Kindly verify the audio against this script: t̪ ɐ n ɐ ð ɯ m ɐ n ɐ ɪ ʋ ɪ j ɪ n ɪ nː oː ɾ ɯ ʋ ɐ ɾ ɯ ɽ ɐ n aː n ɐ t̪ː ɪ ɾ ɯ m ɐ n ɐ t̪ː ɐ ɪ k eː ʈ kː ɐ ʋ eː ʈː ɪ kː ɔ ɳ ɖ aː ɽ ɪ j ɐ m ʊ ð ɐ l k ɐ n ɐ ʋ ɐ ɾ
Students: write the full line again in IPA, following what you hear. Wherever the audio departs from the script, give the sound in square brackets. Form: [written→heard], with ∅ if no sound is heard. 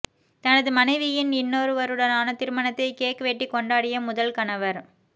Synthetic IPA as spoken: t̪ ɐ n ɐ ð ɯ m ɐ n ɐ ɪ ʋ ɪ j ɪ n ɪ nː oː ɾ ɯ ʋ ɐ ɾ ɯ ɽ ɐ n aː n ɐ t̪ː ɪ ɾ ɯ m ɐ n ɐ t̪ː ɐ ɪ k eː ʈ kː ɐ ʋ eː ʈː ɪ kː ɔ ɳ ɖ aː ɽ ɪ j ɐ m ʊ ð ɐ l k ɐ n ɐ ʋ ɐ ɾ